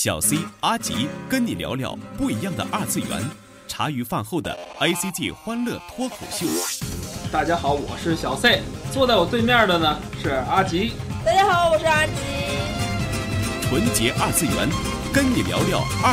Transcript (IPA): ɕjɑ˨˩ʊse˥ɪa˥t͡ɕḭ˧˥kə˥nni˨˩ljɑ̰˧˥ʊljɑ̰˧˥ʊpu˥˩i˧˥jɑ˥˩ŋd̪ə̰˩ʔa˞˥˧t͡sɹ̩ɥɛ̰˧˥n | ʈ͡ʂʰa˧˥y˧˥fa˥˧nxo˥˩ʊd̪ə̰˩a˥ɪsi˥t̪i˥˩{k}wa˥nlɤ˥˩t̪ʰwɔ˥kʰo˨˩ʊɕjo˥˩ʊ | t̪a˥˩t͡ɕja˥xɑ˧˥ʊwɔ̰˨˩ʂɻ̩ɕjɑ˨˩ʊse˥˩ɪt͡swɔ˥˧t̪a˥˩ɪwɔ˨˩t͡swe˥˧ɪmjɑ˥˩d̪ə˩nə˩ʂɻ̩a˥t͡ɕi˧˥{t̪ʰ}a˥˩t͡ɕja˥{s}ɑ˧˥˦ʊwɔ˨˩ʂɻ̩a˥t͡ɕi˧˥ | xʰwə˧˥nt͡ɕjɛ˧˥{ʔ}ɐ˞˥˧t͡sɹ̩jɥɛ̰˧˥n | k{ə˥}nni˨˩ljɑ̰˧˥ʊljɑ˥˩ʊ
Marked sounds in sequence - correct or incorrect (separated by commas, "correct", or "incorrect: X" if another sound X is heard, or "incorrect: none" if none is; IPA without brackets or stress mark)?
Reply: incorrect: x, incorrect: t̪, incorrect: x, correct, correct